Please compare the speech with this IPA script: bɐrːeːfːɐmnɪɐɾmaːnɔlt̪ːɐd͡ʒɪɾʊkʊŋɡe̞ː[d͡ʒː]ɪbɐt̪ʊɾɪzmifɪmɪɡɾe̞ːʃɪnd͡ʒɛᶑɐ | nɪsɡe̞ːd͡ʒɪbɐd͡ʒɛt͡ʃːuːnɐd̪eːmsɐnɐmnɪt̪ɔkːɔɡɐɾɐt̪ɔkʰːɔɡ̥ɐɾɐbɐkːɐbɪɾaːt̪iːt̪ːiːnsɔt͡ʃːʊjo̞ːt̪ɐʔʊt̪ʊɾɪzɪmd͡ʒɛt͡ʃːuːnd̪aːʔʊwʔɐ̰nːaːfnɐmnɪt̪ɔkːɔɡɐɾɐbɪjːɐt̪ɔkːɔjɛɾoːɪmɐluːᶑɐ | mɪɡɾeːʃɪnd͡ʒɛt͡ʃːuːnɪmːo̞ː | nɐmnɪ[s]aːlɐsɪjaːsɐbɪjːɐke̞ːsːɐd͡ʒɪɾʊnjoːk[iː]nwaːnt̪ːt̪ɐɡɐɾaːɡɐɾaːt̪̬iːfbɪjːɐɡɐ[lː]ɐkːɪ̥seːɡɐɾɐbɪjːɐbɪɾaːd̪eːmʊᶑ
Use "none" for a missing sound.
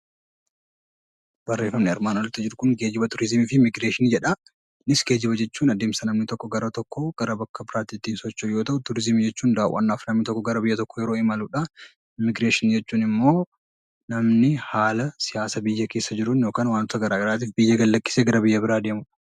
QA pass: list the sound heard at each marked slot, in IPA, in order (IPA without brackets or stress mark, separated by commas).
d͡ʒ, h, aː, lː